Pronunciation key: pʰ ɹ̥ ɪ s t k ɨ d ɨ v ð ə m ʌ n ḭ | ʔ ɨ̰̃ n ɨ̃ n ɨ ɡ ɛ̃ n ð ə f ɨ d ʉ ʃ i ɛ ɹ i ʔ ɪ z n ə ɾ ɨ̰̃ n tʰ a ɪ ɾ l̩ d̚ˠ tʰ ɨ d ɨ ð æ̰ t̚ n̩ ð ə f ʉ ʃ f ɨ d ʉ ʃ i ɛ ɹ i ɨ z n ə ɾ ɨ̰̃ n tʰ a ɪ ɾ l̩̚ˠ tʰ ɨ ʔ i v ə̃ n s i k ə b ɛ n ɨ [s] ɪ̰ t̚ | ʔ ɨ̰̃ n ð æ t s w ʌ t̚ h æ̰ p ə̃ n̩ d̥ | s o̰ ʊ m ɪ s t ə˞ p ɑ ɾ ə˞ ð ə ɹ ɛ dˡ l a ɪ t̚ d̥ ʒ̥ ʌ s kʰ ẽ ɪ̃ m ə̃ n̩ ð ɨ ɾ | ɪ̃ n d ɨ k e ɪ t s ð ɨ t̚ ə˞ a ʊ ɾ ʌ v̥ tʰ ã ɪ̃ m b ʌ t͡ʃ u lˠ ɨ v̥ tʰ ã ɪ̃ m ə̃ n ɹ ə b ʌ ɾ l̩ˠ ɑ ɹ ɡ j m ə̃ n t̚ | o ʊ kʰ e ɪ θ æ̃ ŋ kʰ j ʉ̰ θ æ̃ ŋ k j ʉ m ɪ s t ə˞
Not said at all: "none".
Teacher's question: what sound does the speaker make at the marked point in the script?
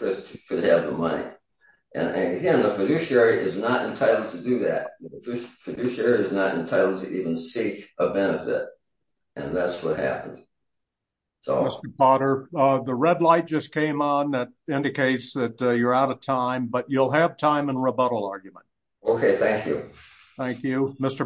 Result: f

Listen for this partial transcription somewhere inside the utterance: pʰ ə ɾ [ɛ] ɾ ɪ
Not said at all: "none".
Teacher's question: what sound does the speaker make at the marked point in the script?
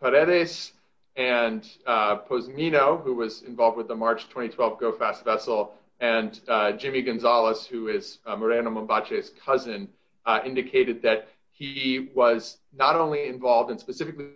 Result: ɛ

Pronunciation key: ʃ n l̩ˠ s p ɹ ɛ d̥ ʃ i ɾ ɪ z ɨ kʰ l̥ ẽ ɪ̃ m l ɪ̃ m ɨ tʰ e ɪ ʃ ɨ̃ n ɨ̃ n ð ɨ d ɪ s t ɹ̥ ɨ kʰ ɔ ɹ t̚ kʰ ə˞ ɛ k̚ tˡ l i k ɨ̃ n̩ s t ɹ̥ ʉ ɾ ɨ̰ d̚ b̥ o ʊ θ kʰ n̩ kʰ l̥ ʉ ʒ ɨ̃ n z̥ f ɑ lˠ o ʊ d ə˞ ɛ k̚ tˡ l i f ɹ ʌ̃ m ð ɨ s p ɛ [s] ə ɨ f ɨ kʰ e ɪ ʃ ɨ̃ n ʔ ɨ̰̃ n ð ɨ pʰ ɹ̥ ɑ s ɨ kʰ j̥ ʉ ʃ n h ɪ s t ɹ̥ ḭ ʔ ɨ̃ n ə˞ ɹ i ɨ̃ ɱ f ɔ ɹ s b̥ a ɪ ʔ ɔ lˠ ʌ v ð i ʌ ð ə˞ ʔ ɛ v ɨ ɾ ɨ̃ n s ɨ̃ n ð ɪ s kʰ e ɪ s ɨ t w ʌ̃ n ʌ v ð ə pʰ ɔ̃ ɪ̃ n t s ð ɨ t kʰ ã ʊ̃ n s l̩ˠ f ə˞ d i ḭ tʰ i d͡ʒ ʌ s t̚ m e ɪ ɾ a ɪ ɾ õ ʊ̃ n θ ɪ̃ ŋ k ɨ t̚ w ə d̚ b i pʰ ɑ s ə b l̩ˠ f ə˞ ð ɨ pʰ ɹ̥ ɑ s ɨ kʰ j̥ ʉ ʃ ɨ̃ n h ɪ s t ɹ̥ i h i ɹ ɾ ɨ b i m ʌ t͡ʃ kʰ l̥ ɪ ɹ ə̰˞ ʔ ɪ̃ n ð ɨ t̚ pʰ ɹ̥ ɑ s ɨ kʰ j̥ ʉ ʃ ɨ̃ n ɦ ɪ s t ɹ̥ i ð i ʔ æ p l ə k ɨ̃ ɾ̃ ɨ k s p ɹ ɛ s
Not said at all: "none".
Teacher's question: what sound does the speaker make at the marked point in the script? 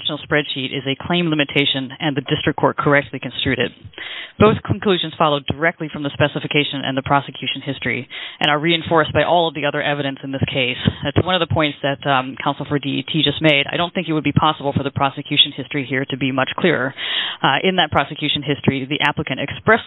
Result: s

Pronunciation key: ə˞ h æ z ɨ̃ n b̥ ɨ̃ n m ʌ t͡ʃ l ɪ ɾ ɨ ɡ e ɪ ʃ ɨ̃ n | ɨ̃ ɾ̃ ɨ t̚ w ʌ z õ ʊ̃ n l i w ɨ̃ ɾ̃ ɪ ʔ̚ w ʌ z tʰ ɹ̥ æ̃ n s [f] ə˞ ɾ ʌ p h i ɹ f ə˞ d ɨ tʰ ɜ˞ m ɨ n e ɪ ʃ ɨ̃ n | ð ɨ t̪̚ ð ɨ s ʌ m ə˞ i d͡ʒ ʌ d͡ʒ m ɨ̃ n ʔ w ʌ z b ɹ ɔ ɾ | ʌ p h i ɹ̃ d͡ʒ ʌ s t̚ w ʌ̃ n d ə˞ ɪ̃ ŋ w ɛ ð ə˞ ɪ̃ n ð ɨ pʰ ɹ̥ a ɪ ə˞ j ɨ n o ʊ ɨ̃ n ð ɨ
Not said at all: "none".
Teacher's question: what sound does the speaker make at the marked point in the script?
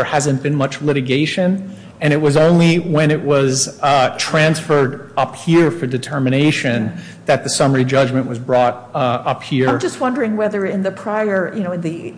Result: f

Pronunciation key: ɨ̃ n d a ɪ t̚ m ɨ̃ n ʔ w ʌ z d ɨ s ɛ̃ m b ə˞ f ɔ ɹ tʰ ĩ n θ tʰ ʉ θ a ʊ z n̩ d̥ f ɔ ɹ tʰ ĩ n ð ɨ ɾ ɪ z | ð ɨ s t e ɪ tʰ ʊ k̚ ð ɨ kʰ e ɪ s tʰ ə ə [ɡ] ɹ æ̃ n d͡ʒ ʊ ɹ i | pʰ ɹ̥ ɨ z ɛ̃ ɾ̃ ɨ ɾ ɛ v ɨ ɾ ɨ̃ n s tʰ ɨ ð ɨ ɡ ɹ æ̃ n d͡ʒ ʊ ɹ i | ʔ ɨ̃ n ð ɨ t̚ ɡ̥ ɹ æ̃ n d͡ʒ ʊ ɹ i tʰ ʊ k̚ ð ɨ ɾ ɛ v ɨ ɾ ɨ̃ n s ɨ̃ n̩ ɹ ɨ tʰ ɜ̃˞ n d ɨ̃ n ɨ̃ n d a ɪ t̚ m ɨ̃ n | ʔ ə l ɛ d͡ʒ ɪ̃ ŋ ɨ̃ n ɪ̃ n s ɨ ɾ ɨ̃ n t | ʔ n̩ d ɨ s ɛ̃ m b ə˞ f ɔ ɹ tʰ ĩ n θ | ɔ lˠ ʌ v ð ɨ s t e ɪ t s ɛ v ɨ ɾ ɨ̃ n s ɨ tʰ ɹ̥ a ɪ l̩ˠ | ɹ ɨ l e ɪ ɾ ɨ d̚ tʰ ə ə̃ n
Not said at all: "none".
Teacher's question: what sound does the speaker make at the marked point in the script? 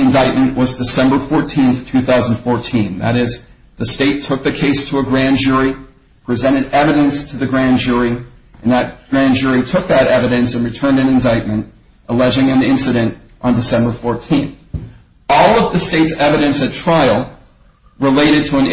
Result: ɡ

